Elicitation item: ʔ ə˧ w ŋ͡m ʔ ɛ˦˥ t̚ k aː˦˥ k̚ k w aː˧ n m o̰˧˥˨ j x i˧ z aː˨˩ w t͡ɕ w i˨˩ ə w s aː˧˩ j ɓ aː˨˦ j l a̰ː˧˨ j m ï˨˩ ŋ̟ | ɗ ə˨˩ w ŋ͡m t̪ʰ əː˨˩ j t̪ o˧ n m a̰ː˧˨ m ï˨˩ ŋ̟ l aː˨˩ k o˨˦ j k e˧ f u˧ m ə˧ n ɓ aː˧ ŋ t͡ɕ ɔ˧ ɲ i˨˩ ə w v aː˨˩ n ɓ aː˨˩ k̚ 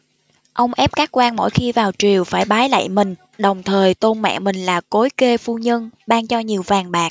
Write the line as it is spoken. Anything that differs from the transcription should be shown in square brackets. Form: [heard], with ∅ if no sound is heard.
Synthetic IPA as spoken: ʔ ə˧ w ŋ͡m ʔ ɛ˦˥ [p̚] k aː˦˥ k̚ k w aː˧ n m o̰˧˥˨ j x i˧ [v] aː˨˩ w t͡ɕ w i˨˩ ə w [f] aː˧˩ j ɓ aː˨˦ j l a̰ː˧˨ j m ï˨˩ ŋ̟ | ɗ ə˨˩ w ŋ͡m t̪ʰ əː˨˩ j t̪ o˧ n m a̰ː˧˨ m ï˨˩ ŋ̟ l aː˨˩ k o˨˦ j k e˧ f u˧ [ɲ] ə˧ n ɓ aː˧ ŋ t͡ɕ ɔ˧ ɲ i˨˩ ə w v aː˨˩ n ɓ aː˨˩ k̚

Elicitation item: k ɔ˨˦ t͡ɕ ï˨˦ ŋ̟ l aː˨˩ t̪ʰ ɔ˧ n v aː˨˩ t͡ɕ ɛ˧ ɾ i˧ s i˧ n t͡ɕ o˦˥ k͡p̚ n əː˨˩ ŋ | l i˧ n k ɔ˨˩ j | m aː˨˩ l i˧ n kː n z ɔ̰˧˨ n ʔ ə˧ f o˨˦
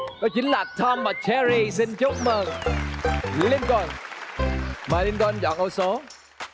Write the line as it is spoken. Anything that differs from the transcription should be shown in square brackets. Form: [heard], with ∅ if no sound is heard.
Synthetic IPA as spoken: k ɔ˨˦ t͡ɕ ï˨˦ ŋ̟ l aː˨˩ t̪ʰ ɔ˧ [m] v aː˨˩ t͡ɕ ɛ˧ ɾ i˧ s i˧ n t͡ɕ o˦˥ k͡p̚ [m] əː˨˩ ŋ | l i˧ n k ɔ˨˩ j | m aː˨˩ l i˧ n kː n z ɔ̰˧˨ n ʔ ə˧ [s] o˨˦

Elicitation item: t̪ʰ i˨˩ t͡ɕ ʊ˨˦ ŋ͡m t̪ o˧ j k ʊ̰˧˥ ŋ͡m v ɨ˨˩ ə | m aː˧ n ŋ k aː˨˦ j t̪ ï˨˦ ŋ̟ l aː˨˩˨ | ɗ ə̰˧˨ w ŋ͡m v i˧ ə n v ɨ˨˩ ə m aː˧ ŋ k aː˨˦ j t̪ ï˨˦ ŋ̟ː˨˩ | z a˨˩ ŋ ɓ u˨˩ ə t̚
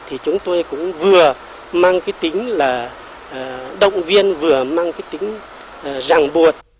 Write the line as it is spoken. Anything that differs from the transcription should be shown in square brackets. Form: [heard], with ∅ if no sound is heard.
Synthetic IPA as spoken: t̪ʰ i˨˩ t͡ɕ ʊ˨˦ ŋ͡m t̪ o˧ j k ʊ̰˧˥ ŋ͡m v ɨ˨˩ ə | m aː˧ [∅] ŋ k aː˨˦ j t̪ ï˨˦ ŋ̟ l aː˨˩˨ | ɗ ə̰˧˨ w ŋ͡m v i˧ ə n v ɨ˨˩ ə m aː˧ ŋ k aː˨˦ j t̪ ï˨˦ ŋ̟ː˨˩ | z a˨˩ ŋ ɓ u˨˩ ə t̚

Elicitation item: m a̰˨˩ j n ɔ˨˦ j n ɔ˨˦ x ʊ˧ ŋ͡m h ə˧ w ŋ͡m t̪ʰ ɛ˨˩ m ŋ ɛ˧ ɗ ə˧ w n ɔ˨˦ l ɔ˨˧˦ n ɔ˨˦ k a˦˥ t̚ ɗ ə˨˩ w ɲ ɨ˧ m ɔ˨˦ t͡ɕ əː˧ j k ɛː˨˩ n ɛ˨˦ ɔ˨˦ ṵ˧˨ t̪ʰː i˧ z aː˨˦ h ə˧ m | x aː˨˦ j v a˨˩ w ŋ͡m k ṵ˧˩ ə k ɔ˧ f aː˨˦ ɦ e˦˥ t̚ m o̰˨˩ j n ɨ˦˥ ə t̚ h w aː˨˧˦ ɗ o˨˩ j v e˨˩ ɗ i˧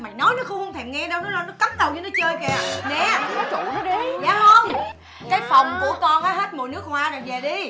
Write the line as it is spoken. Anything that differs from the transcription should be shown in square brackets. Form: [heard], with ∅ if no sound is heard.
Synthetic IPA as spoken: m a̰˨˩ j n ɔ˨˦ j n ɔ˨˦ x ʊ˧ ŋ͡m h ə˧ w ŋ͡m t̪ʰ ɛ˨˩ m ŋ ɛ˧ ɗ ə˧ w n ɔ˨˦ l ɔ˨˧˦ n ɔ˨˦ k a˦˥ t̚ ɗ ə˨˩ w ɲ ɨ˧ [n] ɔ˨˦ t͡ɕ əː˧ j k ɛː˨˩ n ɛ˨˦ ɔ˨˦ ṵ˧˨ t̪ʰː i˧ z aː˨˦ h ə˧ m | [k] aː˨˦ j [f] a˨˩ w ŋ͡m k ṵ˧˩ ə k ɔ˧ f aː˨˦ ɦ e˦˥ t̚ m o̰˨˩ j n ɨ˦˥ ə [k̚] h w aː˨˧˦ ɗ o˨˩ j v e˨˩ ɗ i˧

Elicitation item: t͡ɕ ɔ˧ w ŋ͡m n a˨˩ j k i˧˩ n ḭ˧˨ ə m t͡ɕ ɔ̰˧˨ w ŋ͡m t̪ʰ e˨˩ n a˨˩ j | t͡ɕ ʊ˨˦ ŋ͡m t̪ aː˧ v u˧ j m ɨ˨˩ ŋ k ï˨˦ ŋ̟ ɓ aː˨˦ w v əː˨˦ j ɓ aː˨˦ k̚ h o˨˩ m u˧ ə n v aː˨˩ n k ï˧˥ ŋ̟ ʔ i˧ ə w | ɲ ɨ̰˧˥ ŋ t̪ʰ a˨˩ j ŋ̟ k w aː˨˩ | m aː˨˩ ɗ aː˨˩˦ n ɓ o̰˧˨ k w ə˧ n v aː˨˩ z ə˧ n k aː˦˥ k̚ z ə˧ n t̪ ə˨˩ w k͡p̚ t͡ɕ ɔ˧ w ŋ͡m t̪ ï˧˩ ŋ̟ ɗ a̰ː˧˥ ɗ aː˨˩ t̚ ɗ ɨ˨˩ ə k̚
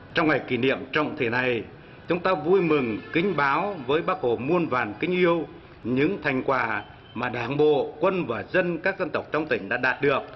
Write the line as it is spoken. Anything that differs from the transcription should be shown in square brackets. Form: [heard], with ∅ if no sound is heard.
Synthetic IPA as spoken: t͡ɕ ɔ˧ w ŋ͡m [ŋ] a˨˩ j k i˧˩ n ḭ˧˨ ə m t͡ɕ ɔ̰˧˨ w ŋ͡m t̪ʰ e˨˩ n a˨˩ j | t͡ɕ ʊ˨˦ ŋ͡m t̪ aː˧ v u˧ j m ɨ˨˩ ŋ k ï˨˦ ŋ̟ ɓ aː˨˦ w v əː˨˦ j ɓ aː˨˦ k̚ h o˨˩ m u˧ ə n v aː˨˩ n k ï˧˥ ŋ̟ ʔ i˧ ə w | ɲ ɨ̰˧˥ ŋ t̪ʰ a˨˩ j ŋ̟ k w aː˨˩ | m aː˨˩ ɗ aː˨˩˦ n ɓ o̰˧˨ k w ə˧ n v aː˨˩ z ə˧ n k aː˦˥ k̚ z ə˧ n t̪ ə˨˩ w k͡p̚ t͡ɕ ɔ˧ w ŋ͡m t̪ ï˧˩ ŋ̟ ɗ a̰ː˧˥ ɗ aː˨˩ t̚ ɗ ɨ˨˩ ə k̚

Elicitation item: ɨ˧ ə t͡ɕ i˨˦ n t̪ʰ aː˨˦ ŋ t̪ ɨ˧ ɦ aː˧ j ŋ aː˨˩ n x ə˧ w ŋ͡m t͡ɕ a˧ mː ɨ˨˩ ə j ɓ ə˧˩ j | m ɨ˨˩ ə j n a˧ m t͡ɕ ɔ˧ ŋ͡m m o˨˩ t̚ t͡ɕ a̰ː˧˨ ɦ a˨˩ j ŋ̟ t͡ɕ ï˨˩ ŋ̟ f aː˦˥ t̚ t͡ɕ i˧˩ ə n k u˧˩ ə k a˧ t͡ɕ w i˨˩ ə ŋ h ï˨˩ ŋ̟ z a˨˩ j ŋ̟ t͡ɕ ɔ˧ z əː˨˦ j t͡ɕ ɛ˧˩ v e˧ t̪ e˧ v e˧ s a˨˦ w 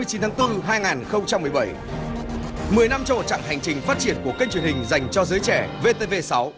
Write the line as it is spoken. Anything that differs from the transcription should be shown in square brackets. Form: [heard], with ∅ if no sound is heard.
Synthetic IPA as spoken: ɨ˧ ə t͡ɕ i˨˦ n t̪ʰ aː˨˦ ŋ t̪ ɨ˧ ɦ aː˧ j ŋ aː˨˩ n x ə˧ w ŋ͡m t͡ɕ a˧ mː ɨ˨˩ ə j ɓ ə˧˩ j | m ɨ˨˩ ə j n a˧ m t͡ɕ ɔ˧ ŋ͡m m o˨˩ t̚ t͡ɕ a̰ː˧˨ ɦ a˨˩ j ŋ̟ t͡ɕ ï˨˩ ŋ̟ f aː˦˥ t̚ t͡ɕ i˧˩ ə n k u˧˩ ə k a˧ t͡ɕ w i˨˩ ə [n] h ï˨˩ ŋ̟ z a˨˩ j ŋ̟ t͡ɕ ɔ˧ z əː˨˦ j t͡ɕ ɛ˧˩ v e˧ t̪ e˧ v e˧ s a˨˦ w

